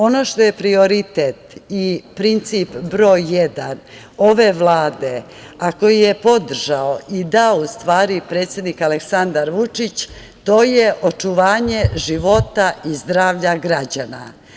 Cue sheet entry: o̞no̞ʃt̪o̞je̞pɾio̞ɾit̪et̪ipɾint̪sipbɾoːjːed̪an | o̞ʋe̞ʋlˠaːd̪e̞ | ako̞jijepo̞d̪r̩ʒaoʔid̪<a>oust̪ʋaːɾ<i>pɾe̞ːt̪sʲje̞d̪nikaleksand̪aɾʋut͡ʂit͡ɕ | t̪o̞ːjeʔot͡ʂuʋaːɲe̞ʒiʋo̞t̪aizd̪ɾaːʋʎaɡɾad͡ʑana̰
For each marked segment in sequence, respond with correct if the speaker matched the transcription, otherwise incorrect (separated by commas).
correct, correct